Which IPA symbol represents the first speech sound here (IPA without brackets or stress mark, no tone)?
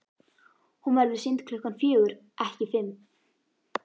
h